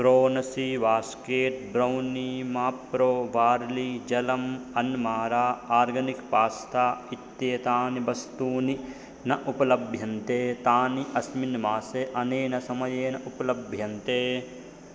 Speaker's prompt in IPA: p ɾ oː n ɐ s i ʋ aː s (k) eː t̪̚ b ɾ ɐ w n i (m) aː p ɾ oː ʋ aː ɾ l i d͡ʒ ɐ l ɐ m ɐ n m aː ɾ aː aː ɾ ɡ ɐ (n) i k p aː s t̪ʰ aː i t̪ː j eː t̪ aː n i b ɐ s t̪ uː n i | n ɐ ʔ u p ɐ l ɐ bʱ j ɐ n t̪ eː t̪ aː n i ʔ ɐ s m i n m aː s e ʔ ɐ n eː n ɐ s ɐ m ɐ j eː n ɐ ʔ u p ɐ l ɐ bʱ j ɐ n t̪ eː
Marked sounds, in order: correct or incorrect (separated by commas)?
correct, correct, correct